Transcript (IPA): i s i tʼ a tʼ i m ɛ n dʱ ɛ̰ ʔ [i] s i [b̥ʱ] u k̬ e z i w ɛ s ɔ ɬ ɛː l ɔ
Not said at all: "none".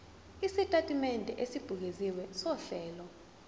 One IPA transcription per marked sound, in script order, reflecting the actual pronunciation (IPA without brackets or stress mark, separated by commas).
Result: e, b̥ʱ